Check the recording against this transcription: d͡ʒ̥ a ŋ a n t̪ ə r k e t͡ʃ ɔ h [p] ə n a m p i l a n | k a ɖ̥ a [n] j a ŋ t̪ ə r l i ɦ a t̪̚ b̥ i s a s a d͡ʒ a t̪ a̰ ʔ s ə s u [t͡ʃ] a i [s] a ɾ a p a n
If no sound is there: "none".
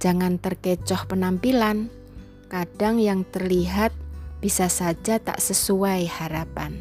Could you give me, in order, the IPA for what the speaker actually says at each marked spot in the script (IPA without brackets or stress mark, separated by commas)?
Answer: p, ŋ, none, h